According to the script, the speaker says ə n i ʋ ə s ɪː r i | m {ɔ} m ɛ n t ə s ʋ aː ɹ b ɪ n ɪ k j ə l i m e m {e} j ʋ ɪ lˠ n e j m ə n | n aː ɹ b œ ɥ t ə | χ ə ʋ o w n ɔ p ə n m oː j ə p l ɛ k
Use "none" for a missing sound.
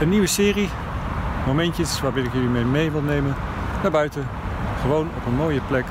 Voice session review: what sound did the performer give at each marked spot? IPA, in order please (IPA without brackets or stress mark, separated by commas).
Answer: o, e